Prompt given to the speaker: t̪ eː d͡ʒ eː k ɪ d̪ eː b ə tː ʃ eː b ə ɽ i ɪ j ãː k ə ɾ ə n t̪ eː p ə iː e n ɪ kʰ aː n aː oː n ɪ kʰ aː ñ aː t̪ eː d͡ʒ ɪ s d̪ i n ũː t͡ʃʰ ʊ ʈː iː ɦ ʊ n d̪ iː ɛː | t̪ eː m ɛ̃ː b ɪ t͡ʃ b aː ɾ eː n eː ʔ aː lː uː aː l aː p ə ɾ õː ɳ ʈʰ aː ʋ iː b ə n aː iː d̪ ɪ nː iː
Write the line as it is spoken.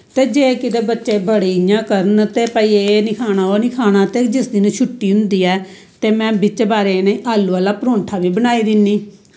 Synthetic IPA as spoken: t̪ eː d͡ʒ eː k ɪ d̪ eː b ə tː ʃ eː b ə ɽ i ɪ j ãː k ə ɾ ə n t̪ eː p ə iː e n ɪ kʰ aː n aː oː n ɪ kʰ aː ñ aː t̪ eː d͡ʒ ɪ s d̪ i n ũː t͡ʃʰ ʊ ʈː iː ɦ ʊ n d̪ iː ɛː | t̪ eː m ɛ̃ː b ɪ t͡ʃ b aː ɾ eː n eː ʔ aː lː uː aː l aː p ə ɾ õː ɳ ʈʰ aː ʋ iː b ə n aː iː d̪ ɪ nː iː